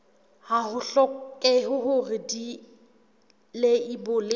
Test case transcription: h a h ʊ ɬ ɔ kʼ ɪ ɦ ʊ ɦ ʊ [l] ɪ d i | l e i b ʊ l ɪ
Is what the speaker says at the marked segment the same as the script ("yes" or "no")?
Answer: no